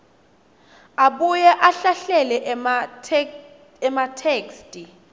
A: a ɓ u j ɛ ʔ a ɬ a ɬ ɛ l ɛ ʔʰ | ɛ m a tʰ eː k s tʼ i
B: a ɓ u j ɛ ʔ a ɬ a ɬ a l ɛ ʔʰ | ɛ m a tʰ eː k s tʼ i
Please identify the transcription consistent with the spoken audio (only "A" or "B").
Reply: A